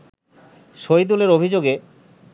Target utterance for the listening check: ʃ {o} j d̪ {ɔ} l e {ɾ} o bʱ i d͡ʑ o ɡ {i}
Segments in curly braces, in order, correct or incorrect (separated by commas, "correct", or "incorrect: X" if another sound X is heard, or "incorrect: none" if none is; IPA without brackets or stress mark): correct, incorrect: u, correct, incorrect: e